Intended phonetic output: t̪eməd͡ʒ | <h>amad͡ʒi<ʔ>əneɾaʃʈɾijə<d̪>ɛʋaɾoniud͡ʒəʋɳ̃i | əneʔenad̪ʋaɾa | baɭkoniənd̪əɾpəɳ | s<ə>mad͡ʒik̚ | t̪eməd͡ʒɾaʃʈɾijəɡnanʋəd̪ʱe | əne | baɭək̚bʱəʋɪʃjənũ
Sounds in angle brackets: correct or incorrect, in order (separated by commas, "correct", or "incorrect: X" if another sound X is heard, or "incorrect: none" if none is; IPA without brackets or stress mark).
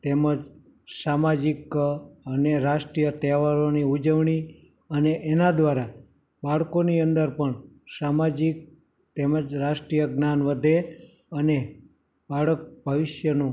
incorrect: s, incorrect: k, incorrect: t̪, incorrect: a